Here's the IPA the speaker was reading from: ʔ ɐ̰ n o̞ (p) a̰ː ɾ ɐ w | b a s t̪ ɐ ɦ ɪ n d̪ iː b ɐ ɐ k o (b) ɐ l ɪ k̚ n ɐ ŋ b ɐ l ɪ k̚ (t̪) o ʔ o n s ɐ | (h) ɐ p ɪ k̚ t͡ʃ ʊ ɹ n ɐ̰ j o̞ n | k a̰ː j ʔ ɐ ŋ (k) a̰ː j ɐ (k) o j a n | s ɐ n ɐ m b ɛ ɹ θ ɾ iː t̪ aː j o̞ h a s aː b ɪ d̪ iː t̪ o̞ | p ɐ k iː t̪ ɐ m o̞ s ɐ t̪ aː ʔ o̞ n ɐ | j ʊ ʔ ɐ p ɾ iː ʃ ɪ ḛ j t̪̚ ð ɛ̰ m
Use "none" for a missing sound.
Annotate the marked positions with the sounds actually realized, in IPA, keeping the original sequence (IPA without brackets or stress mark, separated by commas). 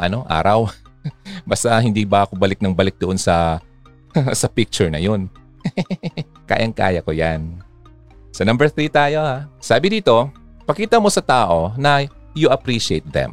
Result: ʔ, b, d̪, s, k, k